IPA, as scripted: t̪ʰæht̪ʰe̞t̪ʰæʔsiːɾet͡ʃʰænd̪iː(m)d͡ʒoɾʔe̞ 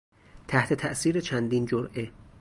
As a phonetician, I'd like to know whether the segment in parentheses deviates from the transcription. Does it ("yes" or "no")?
yes